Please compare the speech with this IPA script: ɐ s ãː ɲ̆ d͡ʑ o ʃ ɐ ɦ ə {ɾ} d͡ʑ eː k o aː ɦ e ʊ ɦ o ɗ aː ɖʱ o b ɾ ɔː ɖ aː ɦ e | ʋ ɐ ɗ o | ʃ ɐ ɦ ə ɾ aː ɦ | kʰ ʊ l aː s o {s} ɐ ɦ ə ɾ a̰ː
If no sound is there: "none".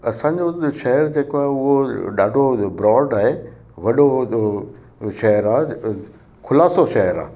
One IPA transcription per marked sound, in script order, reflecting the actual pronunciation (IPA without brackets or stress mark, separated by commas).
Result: ɾ, ʃ